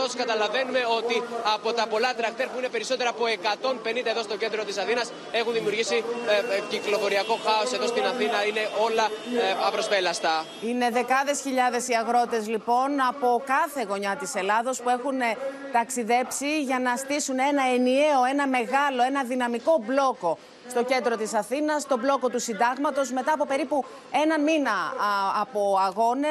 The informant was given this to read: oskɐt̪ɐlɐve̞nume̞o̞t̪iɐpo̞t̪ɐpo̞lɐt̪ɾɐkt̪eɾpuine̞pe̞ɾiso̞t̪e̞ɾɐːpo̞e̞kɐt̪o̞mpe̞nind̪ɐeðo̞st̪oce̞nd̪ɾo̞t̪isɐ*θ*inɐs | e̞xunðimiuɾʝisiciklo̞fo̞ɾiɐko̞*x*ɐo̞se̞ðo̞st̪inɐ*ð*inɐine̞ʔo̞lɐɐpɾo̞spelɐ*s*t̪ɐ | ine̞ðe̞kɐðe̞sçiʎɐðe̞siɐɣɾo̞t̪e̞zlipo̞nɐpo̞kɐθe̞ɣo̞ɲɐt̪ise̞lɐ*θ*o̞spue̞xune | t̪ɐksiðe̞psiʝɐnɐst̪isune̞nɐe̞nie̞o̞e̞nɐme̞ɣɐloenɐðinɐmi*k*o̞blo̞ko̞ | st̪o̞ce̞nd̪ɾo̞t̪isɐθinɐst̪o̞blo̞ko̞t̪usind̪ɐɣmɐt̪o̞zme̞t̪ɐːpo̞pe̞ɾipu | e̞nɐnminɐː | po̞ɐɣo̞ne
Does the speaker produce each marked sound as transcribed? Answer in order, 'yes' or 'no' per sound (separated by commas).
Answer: yes, yes, no, yes, no, yes